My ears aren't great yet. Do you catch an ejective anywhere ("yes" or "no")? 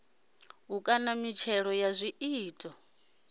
yes